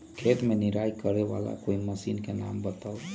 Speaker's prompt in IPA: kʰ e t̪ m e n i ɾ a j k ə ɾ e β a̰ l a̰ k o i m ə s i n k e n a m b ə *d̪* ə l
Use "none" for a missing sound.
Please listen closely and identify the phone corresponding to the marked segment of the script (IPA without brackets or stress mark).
t̪